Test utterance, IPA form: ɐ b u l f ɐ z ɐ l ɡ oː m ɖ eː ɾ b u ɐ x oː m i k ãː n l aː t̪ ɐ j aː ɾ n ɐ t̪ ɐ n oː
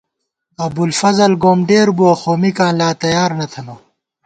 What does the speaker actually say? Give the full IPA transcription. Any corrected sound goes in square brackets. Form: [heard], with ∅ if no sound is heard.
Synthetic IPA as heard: ɐ b u l f ɐ z ɐ l ɡ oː m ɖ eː ɾ b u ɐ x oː m i k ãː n l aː t̪ ɐ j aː ɾ n ɐ [t̪ʰ] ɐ n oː